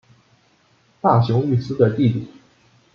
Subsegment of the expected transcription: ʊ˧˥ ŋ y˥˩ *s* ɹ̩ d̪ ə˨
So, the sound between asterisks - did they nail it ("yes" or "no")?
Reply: yes